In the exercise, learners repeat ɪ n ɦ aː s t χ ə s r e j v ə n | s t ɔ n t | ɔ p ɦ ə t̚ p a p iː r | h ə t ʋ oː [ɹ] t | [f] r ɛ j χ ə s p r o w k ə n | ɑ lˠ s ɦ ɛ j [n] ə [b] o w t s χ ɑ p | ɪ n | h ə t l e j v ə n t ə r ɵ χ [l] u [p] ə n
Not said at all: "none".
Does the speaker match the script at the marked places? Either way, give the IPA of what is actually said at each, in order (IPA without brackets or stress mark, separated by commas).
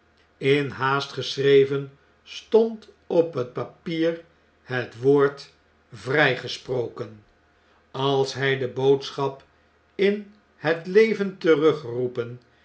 ɹ, v, d, b, r, p